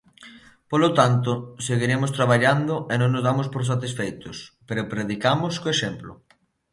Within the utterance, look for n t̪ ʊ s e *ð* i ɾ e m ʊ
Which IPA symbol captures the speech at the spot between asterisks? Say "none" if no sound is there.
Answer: ɣ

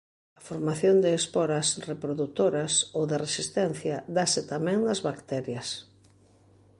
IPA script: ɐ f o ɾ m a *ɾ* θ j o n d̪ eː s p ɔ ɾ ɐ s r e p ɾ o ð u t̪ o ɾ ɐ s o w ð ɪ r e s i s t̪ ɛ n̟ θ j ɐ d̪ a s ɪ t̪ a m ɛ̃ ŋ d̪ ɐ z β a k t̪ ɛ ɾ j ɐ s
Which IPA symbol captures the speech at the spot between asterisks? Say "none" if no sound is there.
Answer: none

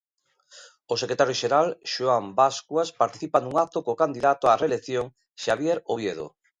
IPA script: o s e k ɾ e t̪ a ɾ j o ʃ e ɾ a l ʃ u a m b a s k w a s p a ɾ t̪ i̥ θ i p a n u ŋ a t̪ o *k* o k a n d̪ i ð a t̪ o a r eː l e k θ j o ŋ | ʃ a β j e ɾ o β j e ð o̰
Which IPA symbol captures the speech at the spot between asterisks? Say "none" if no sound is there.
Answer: k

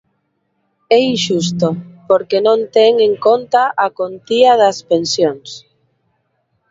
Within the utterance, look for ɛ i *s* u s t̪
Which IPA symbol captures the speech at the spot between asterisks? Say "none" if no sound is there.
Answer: ʃ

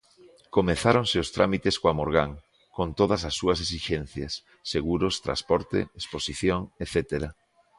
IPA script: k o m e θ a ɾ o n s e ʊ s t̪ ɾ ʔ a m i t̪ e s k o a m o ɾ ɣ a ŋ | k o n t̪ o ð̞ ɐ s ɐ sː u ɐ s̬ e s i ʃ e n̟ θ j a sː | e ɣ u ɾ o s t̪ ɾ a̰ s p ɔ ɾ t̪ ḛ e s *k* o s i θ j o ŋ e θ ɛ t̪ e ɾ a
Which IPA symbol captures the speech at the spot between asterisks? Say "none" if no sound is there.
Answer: p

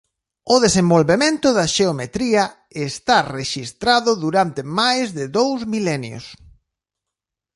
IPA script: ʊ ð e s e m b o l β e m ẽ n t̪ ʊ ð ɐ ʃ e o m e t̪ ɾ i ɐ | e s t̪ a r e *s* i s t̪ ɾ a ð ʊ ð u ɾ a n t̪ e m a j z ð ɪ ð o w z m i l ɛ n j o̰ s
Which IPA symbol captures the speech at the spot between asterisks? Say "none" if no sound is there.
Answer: ʃ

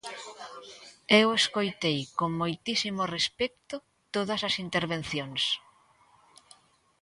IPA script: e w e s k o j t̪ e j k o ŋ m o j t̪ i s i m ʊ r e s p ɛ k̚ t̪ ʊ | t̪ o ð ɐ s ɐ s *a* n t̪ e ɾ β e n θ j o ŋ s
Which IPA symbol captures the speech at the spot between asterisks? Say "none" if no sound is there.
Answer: i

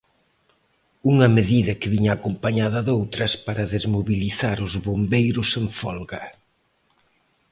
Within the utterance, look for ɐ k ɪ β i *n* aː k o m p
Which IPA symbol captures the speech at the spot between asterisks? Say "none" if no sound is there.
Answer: ɲ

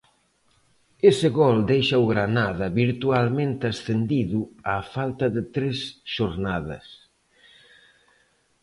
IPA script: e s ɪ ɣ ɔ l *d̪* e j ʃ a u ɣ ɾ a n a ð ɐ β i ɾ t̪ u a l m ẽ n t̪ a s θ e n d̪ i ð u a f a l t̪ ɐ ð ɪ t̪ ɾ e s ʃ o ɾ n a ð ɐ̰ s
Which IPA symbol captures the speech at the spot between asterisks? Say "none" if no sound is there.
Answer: d̪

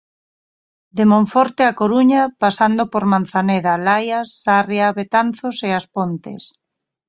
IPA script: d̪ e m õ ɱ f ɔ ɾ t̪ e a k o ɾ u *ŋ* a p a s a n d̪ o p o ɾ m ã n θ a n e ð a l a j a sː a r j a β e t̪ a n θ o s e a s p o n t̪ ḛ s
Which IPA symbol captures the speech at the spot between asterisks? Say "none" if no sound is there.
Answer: ɲ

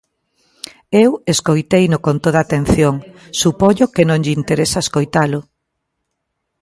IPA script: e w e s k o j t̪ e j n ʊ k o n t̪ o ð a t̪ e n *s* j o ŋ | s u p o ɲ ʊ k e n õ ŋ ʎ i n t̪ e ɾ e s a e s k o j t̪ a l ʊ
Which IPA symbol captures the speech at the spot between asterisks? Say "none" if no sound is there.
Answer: θ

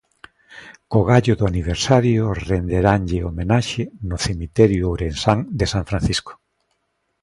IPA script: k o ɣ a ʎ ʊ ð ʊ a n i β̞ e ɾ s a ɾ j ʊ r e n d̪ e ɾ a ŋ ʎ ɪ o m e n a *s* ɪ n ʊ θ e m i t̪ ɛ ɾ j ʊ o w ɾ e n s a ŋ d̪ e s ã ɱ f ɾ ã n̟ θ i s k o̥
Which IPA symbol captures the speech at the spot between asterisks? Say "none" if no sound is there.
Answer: ʃ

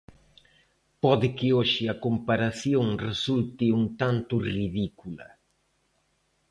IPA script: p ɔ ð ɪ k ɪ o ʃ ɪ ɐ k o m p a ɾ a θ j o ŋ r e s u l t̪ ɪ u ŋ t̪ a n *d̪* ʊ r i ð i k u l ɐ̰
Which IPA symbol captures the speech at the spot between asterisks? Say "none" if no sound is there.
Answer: t̪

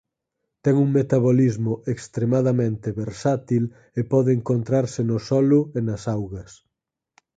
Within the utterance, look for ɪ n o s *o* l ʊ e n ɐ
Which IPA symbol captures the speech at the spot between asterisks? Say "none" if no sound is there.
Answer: ɔ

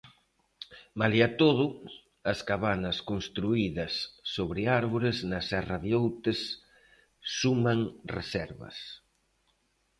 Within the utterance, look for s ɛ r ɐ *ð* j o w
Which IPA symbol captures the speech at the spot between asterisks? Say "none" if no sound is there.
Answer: ð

